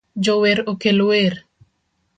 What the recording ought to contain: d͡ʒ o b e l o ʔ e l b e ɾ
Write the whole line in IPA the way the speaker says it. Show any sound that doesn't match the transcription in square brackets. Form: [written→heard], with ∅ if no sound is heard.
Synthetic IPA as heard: d͡ʒ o [b→w] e [l→ɾ] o [ʔ→k] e l [b→w] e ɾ